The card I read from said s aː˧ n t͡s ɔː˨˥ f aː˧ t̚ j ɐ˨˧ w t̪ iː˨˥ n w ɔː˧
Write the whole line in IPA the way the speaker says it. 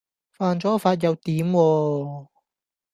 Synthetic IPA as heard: f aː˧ n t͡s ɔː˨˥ f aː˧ t̚ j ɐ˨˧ w t̪ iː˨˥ m w ɔː˧